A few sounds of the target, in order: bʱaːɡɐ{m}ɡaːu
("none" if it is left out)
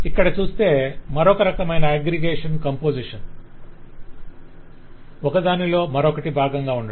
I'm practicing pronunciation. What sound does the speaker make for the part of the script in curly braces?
ŋ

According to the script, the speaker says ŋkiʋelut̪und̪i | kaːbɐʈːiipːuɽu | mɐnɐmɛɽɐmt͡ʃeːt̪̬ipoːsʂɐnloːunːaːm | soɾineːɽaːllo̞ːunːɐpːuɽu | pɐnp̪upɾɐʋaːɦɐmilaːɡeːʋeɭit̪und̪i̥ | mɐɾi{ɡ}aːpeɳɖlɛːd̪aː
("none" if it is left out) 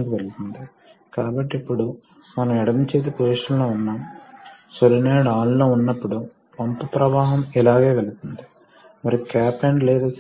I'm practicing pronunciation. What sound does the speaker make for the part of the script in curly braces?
k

